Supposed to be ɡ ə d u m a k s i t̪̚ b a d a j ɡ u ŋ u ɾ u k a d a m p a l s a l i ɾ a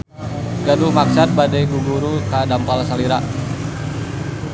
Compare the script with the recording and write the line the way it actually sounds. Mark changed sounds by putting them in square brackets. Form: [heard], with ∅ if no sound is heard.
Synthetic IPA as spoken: ɡ [a] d u m a k s [a] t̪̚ b a d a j ɡ u [ɡ] u ɾ u k a d a m p a l s a l i ɾ a